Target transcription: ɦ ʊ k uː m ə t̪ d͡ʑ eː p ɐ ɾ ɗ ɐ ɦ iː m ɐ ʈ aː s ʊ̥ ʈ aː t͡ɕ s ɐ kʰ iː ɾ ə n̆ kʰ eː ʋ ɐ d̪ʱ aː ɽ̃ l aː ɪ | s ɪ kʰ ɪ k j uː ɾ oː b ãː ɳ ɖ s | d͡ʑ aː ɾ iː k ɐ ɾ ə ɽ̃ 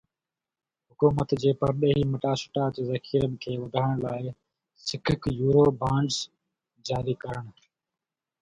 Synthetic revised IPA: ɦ ʊ k uː m ə t̪ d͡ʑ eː p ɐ ɾ ɗ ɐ ɦ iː m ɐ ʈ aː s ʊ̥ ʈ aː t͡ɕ z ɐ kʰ iː ɾ ə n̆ kʰ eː ʋ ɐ d̪ʱ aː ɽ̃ l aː ɪ | s ɪ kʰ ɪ k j uː ɾ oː b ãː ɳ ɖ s | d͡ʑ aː ɾ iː k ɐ ɾ ə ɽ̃